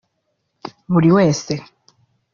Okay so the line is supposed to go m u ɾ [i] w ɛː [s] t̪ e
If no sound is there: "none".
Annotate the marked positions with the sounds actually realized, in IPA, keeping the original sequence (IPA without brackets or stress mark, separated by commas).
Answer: i, s